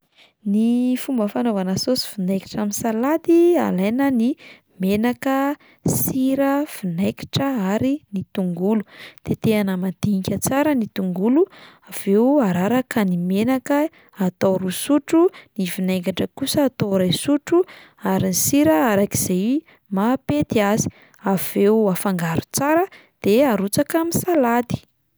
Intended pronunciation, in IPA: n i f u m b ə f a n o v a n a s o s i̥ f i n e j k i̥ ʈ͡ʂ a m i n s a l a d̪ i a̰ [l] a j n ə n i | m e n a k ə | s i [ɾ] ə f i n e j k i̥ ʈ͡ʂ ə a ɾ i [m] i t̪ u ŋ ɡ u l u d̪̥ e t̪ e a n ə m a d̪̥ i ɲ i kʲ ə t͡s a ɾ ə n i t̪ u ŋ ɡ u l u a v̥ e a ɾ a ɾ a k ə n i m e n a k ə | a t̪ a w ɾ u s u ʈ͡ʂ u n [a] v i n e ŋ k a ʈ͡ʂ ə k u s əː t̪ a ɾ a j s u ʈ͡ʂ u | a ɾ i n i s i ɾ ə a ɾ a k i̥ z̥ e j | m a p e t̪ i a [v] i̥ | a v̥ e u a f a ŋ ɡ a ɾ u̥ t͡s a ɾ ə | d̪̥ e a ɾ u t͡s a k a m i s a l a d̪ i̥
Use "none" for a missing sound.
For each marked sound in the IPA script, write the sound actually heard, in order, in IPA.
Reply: l, ɾ, n, i, z

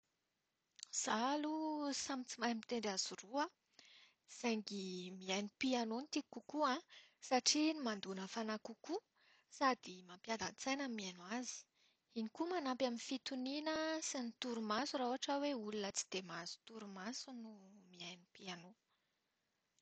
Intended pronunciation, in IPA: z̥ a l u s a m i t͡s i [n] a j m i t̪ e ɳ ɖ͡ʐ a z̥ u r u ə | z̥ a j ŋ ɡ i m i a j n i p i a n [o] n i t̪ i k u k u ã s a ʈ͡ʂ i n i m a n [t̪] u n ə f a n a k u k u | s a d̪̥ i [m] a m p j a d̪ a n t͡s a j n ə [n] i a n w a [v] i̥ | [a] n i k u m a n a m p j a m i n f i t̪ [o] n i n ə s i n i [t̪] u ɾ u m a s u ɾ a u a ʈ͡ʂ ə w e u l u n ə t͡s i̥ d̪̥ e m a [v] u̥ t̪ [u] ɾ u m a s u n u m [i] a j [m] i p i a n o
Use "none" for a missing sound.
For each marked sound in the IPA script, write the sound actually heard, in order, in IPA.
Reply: m, o, d̪, m, m, z, i, u, t̪, z, u, i, n

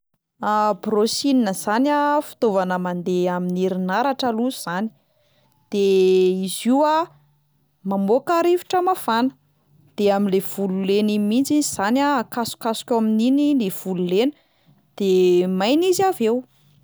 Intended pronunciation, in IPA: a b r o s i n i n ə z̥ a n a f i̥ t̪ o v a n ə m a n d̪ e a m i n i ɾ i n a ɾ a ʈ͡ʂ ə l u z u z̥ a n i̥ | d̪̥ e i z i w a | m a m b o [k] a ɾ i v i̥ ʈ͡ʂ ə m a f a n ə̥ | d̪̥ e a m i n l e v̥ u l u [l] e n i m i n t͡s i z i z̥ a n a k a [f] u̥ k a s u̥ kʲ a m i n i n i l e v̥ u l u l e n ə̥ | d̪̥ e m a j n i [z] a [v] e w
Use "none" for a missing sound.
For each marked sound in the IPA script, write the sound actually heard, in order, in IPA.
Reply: k, l, s, z, v

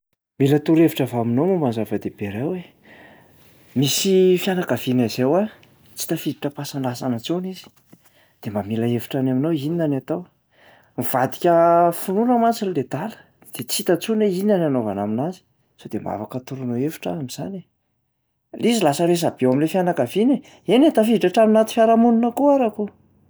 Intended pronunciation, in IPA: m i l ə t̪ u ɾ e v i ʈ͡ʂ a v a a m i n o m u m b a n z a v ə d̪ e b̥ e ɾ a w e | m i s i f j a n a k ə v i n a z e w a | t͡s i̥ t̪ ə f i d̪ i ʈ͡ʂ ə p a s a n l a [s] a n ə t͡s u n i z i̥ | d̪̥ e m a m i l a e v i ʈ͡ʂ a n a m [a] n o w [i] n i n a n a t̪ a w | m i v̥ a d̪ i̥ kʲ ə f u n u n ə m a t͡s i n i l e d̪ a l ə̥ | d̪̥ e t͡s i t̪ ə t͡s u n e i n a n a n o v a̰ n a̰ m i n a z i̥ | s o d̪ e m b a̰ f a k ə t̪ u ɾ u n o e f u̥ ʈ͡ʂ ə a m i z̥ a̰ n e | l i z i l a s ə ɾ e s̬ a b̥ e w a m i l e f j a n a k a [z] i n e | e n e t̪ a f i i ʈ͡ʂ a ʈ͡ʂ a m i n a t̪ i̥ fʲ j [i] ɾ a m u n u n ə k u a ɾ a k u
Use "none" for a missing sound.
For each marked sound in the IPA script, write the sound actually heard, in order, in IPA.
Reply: s, i, i, v, a

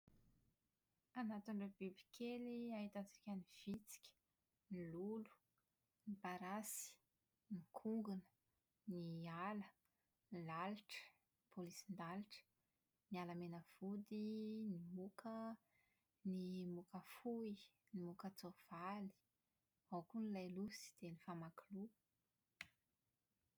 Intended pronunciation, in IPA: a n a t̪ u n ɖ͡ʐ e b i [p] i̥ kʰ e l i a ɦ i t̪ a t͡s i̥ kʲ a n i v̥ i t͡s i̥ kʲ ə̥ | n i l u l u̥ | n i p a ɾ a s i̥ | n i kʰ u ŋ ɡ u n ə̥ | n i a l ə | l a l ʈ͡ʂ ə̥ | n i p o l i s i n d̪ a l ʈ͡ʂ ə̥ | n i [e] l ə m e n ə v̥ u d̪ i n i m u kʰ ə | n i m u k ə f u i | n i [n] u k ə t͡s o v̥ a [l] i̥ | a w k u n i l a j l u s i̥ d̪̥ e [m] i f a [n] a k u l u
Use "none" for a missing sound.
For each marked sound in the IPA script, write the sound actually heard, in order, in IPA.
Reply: b, a, m, l, n, m

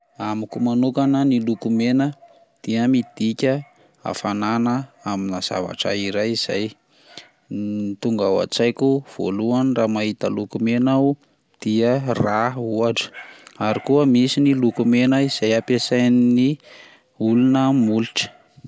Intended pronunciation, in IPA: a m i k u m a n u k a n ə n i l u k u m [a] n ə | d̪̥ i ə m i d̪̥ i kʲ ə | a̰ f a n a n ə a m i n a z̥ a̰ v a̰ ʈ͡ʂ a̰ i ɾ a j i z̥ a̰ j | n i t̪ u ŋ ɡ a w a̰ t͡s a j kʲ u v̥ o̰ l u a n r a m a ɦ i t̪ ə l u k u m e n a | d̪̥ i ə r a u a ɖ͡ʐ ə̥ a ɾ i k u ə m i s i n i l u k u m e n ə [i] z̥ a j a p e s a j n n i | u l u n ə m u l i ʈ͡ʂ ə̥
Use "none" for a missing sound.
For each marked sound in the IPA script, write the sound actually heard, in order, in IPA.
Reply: e, i

